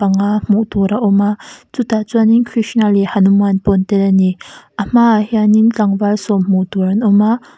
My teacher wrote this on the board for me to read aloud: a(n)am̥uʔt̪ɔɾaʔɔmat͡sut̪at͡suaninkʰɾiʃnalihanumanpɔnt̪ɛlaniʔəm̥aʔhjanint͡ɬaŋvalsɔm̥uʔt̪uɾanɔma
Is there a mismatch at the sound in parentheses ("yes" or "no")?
yes